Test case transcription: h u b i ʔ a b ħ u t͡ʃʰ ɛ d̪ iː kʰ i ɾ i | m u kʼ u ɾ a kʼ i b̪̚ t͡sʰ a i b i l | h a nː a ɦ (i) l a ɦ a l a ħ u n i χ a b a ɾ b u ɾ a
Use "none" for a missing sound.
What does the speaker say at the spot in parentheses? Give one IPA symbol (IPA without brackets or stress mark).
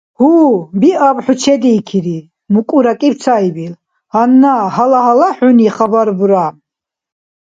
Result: a